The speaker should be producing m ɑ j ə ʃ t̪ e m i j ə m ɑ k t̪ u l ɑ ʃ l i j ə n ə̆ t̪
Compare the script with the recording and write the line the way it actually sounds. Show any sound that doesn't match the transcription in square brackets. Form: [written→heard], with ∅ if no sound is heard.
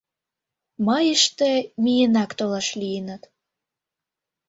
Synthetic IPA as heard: m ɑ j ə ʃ t̪ e m i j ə [m→n] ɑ k t̪ [u→o] l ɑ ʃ l i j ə n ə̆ t̪